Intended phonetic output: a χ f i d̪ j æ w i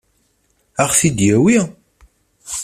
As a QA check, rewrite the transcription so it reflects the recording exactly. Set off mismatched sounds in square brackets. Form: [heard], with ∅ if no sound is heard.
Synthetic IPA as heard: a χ [θ] i d̪ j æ w i